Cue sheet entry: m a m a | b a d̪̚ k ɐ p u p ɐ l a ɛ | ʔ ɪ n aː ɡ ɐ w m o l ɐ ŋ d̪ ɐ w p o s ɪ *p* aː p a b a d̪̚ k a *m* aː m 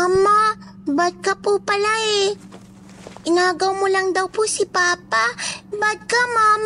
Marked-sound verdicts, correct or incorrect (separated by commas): correct, correct